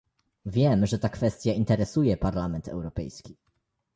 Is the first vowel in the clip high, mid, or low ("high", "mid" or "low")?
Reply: mid